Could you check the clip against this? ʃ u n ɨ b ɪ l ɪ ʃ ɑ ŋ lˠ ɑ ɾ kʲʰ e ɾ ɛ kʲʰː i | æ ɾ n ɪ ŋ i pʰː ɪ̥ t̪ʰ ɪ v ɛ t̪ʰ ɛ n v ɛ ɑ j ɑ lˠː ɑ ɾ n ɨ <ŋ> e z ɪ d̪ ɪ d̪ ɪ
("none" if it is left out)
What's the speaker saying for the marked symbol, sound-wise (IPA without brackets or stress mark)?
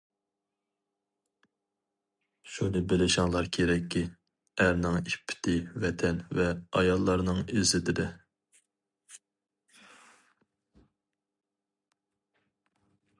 ŋ